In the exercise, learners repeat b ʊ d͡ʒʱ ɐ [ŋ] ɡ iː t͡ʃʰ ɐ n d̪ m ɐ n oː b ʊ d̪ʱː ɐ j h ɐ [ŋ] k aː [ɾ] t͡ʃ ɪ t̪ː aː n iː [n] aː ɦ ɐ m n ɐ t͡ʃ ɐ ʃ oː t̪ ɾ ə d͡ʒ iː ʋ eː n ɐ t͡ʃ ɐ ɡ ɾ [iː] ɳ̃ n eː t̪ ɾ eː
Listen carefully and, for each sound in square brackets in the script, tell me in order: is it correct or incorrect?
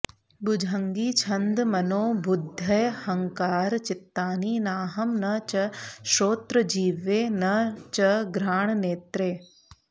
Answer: correct, correct, correct, correct, incorrect

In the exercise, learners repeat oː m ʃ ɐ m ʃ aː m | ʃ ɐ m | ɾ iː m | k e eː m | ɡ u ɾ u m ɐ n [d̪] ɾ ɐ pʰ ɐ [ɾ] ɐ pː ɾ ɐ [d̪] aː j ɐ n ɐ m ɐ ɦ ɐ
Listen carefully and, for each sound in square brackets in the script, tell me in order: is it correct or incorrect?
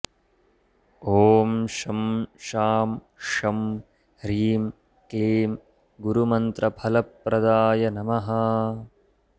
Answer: incorrect, incorrect, correct

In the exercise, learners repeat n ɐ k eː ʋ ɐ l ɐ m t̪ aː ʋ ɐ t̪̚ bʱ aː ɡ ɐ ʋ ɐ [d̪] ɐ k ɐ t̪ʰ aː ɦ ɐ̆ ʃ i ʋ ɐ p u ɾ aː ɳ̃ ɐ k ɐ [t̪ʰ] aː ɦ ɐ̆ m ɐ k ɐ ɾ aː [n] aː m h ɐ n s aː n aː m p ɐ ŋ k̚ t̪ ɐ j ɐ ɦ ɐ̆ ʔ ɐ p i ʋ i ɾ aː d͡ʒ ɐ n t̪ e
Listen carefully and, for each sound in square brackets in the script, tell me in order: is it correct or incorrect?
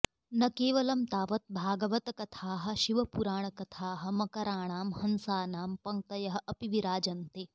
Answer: incorrect, correct, incorrect

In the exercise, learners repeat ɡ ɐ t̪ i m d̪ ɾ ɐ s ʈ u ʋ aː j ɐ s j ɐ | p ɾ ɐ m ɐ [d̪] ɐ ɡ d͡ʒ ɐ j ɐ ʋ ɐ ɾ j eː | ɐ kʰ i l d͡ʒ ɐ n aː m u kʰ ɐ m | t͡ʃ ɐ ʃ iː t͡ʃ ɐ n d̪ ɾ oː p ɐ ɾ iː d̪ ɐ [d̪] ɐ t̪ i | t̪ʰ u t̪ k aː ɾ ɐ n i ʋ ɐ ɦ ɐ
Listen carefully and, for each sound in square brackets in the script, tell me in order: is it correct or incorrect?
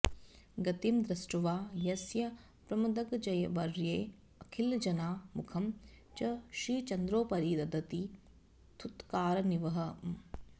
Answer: correct, correct

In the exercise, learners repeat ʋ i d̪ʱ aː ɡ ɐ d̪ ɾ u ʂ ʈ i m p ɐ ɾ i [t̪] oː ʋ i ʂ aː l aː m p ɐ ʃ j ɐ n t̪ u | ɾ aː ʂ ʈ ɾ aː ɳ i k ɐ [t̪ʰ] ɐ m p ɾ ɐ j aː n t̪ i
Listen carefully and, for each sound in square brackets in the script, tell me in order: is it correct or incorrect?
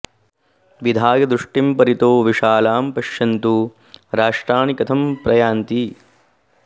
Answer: correct, correct

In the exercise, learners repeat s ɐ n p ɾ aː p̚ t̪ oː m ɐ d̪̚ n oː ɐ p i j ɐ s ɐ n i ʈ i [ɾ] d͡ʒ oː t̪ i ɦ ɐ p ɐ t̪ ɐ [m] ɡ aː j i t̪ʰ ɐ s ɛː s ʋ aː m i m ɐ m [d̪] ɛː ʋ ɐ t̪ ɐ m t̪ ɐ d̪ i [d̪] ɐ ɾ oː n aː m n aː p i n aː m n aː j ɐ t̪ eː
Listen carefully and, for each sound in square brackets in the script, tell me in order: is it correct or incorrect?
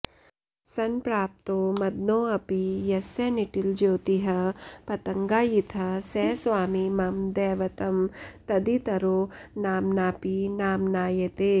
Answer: incorrect, incorrect, correct, incorrect

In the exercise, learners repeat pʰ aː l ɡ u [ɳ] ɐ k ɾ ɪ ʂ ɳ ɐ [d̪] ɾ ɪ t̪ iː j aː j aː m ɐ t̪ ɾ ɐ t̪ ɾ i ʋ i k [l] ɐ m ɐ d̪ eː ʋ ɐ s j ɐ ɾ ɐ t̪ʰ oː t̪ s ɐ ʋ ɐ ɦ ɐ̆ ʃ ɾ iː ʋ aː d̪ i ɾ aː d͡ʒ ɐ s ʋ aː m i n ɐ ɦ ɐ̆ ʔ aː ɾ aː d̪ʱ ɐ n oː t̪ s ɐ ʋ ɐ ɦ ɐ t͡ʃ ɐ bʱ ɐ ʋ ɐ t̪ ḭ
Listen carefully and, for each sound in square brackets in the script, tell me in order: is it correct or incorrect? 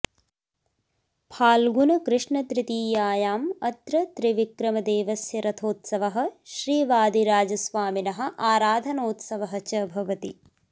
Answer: incorrect, incorrect, incorrect

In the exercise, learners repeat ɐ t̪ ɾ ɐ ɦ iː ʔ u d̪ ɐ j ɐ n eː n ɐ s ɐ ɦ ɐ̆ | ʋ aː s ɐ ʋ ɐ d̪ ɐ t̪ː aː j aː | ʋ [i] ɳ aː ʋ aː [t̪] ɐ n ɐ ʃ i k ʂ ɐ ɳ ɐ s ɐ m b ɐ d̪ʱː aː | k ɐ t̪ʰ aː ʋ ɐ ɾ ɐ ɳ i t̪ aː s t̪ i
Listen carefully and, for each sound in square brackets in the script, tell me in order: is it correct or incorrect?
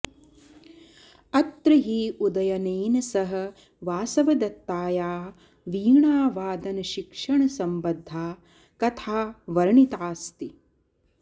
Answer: incorrect, incorrect

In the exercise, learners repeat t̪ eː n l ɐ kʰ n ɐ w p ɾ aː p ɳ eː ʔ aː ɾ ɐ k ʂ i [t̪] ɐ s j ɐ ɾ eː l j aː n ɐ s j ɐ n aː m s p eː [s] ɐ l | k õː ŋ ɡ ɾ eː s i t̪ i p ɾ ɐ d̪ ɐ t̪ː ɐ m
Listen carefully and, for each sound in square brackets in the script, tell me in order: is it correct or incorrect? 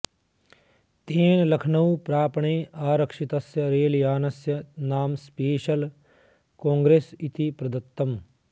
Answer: correct, incorrect

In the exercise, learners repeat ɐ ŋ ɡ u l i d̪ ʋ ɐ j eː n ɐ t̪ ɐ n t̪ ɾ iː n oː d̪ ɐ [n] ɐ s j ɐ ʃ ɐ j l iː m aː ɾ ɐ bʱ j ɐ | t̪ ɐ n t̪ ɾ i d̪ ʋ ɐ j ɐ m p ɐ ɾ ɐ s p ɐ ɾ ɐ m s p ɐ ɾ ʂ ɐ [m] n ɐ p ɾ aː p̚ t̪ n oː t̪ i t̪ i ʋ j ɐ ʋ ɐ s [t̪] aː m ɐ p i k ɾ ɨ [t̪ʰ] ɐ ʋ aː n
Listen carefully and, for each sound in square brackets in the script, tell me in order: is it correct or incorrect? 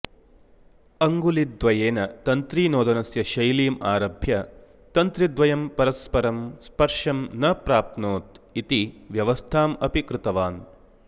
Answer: correct, correct, incorrect, incorrect

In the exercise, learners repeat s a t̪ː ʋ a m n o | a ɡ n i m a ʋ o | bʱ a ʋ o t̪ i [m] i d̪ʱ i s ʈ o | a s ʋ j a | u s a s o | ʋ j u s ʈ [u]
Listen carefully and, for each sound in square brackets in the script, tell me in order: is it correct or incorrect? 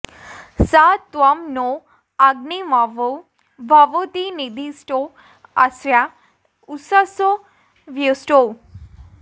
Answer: incorrect, incorrect

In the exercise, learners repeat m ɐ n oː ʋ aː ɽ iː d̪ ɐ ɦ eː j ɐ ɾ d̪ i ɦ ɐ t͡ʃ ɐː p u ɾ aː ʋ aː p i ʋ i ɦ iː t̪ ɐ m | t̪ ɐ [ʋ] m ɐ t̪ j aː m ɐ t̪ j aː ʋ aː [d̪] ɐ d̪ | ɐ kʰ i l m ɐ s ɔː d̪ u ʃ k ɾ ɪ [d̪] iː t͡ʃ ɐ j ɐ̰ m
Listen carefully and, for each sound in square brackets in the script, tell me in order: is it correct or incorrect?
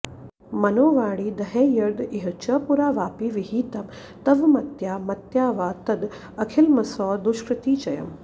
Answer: correct, incorrect, incorrect

